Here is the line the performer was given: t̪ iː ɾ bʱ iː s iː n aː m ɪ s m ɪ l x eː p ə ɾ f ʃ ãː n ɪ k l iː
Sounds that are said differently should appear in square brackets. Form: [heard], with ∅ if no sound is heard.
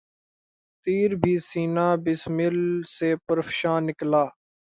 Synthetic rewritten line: t̪ iː ɾ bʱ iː s iː n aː [b] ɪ s m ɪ l [s] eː p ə ɾ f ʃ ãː n ɪ k l [aː]